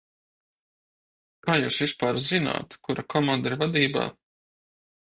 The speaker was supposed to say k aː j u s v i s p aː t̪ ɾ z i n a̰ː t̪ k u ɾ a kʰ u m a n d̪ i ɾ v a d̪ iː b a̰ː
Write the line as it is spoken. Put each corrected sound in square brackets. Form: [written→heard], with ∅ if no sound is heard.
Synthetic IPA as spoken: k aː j [u→uː] s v i s p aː [t̪→∅] ɾ z i n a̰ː t̪ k u ɾ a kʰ [u→ɔ] m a n d̪ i ɾ v a d̪ iː b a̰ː